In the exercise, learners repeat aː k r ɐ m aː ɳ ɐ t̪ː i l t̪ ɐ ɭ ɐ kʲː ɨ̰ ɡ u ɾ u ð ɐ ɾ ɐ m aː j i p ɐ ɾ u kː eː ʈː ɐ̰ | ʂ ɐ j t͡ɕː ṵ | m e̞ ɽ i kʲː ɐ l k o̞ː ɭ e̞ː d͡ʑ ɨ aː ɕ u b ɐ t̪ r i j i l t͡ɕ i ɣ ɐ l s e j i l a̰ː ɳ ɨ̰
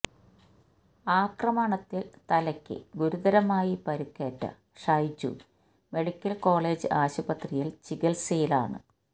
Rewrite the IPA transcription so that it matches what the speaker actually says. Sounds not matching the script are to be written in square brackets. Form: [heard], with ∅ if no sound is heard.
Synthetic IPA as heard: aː k r ɐ m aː ɳ ɐ t̪ː i l t̪ ɐ [l] ɐ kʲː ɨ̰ ɡ u ɾ u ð ɐ ɾ ɐ m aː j i p ɐ ɾ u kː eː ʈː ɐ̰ | ʂ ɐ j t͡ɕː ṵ | m e̞ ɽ i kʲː ɐ l k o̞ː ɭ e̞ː d͡ʑ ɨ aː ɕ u b ɐ t̪ r i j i l t͡ɕ i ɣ ɐ l s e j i l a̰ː ɳ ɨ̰

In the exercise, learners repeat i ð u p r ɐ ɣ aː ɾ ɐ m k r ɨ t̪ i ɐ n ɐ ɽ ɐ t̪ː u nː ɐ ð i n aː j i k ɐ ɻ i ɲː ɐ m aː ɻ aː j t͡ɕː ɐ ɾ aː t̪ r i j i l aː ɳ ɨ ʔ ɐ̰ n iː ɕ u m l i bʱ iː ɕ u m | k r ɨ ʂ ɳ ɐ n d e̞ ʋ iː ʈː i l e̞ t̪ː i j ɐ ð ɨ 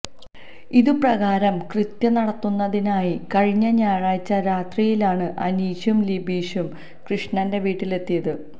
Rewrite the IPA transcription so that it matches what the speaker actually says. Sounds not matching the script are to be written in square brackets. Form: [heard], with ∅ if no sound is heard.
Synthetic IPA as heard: i ð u p r ɐ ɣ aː ɾ ɐ m k r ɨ t̪ [j] ɐ n ɐ ɽ ɐ t̪ː u nː ɐ ð i n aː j i k ɐ ɻ i ɲː ɐ [ɲ] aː ɻ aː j t͡ɕː ɐ ɾ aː t̪ r i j i l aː ɳ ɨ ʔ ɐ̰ n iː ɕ u m l i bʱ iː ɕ u m | k r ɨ ʂ ɳ ɐ n d e̞ ʋ iː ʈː i l e̞ t̪ː i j ɐ ð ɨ

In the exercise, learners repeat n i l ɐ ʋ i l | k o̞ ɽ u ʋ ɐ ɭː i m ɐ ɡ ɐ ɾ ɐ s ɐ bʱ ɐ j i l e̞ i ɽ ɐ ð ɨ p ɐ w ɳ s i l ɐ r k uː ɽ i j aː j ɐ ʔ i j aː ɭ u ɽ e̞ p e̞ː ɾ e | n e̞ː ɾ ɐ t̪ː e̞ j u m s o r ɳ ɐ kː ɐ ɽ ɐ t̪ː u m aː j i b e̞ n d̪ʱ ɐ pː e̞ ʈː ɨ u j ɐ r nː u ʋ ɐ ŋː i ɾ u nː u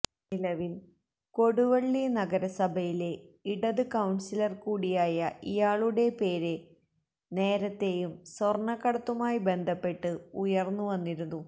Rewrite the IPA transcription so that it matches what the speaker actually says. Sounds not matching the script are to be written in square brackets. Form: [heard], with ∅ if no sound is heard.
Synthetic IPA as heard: n i l ɐ ʋ i l | k o̞ ɽ u ʋ ɐ ɭː i [n] ɐ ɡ ɐ ɾ ɐ s ɐ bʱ ɐ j i l e̞ i ɽ ɐ ð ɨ [k] ɐ w ɳ s i l ɐ r k uː ɽ i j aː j ɐ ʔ i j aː ɭ u ɽ e̞ p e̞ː ɾ e | n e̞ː ɾ ɐ t̪ː e̞ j u m s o r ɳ ɐ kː ɐ ɽ ɐ t̪ː u m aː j i b e̞ n d̪ʱ ɐ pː e̞ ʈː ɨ u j ɐ r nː u ʋ ɐ [nː] i ɾ u nː u

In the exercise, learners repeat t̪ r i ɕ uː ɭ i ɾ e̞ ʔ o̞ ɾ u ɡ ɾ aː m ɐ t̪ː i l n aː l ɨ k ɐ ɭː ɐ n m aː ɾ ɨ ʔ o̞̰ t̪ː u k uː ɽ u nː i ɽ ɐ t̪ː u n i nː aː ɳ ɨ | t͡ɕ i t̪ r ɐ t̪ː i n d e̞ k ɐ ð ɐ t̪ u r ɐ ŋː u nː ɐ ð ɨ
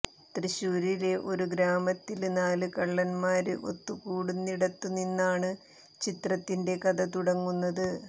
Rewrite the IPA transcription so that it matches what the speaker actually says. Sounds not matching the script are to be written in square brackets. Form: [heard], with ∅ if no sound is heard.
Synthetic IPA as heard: t̪ r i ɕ uː [ɾ] i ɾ e̞ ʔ o̞ ɾ u ɡ ɾ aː m ɐ t̪ː i l n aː l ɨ k ɐ ɭː ɐ n m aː ɾ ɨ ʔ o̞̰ t̪ː u k uː ɽ u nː i ɽ ɐ t̪ː u n i nː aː ɳ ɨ | t͡ɕ i t̪ r ɐ t̪ː i n d e̞ k ɐ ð ɐ t̪ u [ɽ] ɐ ŋː u nː ɐ ð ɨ

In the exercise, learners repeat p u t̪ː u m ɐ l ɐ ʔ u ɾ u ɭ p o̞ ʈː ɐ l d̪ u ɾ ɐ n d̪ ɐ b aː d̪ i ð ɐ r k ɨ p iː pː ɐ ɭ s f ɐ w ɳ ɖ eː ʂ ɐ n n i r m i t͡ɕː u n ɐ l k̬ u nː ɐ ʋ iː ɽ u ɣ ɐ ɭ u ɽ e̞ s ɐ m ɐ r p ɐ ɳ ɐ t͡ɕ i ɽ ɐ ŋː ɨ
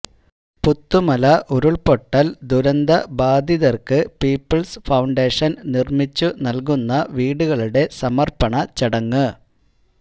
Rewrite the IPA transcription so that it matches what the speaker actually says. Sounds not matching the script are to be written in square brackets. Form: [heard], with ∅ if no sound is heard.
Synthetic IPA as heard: p u t̪ː u m ɐ l ɐ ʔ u ɾ u ɭ p o̞ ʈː ɐ l d̪ u ɾ ɐ n d̪ ɐ b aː d̪ i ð ɐ r k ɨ p iː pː ɐ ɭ s f ɐ w ɳ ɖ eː ʂ ɐ n n i r m i t͡ɕː u n ɐ l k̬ u nː ɐ ʋ iː ɽ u ɣ ɐ ɭ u ɽ e̞ s ɐ m ɐ r p ɐ ɳ ɐ t͡ɕ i ɽ ɐ ŋː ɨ

